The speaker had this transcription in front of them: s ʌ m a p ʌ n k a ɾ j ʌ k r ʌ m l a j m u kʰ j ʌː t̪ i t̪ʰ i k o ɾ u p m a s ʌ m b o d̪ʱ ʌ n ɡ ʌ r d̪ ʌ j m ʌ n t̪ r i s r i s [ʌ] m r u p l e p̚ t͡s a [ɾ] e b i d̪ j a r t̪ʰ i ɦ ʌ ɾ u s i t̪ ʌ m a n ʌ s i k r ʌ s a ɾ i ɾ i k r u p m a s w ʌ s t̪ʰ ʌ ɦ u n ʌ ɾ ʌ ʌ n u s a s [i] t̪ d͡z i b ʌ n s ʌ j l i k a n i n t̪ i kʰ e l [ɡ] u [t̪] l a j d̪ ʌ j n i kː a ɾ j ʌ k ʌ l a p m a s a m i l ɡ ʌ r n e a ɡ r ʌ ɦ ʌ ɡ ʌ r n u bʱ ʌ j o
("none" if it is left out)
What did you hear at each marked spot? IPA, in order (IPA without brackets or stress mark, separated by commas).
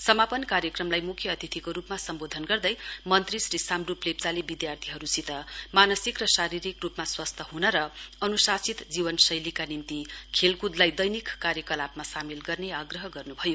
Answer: a, l, i, k, d̪